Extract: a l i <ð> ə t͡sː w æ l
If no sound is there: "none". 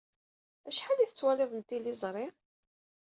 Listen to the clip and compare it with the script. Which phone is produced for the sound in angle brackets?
θ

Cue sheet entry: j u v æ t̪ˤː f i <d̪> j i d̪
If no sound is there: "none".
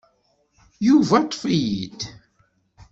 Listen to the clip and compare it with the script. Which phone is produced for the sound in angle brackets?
none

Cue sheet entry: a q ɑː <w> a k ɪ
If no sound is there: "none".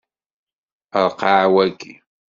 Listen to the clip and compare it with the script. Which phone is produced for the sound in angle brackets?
w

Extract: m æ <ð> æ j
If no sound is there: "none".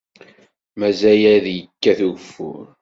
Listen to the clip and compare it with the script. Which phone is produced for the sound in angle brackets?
z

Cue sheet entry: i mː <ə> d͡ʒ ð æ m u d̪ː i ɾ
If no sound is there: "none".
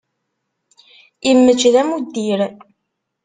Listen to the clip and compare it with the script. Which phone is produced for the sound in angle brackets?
ə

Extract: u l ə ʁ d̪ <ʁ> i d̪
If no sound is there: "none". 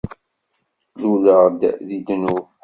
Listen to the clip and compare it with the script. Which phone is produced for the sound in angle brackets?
ð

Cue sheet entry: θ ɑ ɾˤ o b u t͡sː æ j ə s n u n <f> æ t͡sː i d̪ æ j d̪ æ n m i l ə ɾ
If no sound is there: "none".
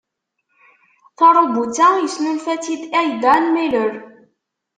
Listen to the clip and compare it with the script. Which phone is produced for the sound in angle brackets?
f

